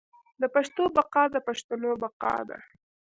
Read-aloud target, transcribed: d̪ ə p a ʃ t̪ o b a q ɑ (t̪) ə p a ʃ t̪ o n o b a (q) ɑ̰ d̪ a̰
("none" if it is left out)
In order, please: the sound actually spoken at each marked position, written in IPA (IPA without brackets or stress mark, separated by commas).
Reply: d̪, q